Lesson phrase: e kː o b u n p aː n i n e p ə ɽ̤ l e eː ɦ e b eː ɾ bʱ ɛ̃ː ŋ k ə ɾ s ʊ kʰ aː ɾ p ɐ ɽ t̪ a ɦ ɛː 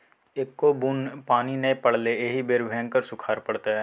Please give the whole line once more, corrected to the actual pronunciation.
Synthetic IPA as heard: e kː o b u n p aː n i n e p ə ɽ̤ l e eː ɦ i b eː ɾ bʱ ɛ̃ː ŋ k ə ɾ s ʊ kʰ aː ɾ p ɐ ɽ t̪ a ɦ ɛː

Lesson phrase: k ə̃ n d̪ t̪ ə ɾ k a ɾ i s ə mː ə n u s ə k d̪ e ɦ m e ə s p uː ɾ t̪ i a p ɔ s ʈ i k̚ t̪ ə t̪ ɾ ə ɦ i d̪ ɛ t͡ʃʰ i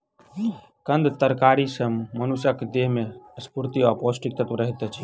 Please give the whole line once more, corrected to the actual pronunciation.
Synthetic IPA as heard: k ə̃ n d̪ t̪ ə ɾ k a ɾ i s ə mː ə n u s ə k d̪ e ɦ m e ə s p u ɾ t̪ i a p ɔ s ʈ i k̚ t̪ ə t̪ ɾ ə ɦ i t̪ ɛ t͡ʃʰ i

